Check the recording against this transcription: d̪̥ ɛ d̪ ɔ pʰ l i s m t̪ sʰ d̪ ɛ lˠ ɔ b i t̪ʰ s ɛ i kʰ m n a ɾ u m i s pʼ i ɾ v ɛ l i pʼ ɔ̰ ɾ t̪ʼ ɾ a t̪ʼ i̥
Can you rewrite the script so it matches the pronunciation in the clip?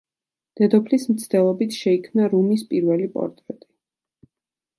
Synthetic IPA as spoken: d̪̥ ɛ d̪ ɔ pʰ l i s m t̪ sʰ d̪ ɛ lˠ ɔ b i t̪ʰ ʃ ɛ i kʰ m n a ɾ u m i s pʼ i ɾ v ɛ l i pʼ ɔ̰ ɾ t̪ʼ ɾ ɛ t̪ʼ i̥